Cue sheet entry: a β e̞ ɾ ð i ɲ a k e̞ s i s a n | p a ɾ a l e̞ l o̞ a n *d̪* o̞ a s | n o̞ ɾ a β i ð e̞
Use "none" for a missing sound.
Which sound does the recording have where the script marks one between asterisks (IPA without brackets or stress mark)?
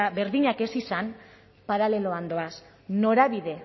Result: d̪